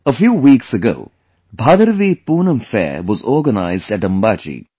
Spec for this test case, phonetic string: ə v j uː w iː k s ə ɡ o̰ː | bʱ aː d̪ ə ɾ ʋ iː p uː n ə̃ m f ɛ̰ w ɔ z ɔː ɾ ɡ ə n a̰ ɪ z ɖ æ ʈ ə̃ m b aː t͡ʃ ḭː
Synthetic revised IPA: ə f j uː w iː k s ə ɡ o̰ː | bʱ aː d̪ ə ɾ ʋ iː p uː n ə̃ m f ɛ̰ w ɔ z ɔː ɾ ɡ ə n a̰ ɪ z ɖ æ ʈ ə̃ m b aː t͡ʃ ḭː